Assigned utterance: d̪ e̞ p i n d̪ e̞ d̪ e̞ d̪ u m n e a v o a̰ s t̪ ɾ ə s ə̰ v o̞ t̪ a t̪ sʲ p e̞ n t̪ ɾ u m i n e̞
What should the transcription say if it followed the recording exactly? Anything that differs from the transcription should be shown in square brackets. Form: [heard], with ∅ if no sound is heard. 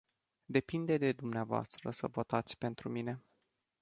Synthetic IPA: d̪ e̞ p i n d̪ e̞ d̪ e̞ d̪ u m n e a v o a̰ s t̪ ɾ ə s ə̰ v o̞ t̪ a t̪ sʲ p e̞ n t̪ ɾ u m i n e̞